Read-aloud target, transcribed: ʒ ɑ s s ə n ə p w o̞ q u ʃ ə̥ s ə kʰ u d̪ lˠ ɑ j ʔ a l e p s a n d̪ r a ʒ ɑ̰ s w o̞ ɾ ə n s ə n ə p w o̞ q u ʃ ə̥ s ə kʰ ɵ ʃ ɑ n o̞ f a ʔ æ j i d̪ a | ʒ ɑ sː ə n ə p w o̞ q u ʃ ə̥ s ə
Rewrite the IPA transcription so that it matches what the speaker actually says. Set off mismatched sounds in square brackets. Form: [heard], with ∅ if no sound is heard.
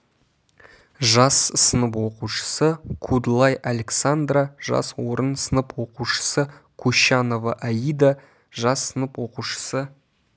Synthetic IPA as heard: ʒ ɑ s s ə n ə p w o̞ q u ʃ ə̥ s ə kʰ u d̪ lˠ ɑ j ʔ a l e [k] s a n d̪ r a ʒ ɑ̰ s w o̞ ɾ ə n s ə n ə p w o̞ q u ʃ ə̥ s ə kʰ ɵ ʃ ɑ n o̞ [v] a ʔ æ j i d̪ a | ʒ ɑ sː ə n ə p w o̞ q u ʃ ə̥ s ə